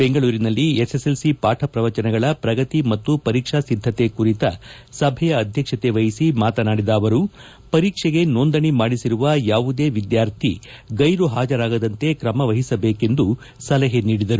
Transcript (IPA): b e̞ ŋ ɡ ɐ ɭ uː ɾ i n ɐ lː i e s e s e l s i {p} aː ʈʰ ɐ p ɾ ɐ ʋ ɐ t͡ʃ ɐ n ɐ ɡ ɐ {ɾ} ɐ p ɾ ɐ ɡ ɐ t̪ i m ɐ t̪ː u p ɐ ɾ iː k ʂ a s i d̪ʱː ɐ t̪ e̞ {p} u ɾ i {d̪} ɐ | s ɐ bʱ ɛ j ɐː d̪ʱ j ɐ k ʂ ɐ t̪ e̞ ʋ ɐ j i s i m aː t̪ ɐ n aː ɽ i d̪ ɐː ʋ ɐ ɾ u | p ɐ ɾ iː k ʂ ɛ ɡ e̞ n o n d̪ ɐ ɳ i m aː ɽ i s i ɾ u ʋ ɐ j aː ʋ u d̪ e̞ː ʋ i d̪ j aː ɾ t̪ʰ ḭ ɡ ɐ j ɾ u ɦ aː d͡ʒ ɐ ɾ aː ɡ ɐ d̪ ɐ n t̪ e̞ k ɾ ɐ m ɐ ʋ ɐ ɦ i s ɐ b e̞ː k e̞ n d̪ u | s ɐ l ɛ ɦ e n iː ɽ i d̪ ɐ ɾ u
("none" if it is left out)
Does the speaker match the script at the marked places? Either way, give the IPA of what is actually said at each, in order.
p, ɭ, k, t̪

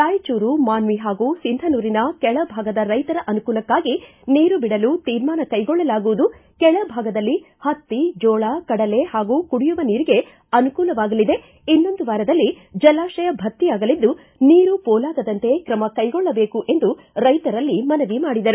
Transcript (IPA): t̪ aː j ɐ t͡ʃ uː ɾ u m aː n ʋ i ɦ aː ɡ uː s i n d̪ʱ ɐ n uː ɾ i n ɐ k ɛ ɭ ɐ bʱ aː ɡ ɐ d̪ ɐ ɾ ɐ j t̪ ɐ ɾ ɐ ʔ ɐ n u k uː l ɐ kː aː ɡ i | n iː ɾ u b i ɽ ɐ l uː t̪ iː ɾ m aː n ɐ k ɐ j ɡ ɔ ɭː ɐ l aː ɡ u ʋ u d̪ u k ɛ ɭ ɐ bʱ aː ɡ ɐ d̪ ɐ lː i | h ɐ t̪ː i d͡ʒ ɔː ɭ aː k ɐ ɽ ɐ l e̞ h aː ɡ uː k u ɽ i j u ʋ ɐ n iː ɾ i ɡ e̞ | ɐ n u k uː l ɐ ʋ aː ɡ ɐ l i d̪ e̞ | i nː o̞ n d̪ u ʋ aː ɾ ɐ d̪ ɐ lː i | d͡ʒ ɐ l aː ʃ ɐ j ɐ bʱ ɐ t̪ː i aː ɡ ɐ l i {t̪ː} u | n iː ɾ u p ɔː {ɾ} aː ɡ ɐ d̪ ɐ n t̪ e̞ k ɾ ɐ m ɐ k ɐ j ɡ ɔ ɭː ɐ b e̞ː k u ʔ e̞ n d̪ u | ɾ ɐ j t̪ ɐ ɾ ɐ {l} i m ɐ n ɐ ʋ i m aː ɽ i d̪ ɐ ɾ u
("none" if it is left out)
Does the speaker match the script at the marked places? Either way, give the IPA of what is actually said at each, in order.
d̪ː, l, lː

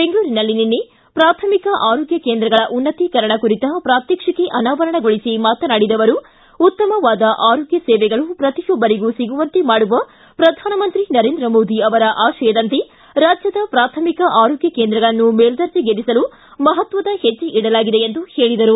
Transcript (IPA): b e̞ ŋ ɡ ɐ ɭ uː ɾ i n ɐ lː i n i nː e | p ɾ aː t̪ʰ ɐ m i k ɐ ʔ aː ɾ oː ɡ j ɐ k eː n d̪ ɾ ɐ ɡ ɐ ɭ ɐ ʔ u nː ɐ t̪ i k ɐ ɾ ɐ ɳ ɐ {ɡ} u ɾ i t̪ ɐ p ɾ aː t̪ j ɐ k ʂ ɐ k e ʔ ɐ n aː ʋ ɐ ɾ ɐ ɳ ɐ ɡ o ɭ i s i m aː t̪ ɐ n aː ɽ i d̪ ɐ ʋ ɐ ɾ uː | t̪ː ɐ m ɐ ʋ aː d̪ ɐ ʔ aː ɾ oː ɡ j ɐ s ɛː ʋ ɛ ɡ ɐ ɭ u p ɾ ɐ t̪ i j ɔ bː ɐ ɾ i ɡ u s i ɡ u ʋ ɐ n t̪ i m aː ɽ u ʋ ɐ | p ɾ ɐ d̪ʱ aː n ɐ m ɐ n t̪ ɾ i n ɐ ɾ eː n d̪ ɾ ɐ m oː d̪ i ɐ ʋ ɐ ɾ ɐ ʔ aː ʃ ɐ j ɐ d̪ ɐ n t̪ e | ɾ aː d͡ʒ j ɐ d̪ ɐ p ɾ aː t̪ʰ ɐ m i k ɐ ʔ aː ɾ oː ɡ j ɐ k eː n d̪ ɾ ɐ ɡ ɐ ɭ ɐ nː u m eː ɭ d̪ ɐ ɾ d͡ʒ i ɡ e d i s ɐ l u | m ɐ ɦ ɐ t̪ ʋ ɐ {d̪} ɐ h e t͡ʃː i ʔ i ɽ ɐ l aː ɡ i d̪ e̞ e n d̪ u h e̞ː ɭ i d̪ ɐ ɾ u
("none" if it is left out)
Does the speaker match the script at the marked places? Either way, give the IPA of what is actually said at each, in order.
k, d̪

